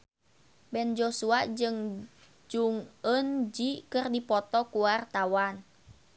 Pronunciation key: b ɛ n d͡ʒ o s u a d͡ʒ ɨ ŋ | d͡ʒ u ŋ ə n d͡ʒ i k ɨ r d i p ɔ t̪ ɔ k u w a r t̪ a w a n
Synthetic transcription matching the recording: b ɛ n d͡ʒ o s u a d͡ʒ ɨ ŋ | d͡ʒ u ŋ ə n d͡ʒ i k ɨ r d i p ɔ t̪ ɔ k u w a r t̪ a w a n